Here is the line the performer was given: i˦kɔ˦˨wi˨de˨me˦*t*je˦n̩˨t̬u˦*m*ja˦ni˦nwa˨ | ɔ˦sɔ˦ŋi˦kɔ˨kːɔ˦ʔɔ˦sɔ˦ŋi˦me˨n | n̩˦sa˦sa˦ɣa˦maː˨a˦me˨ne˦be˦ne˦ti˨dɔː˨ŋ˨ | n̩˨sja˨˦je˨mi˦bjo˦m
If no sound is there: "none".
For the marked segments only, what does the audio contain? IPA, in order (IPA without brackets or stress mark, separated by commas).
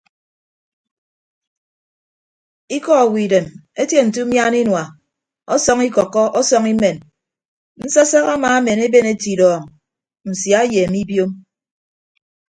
t, m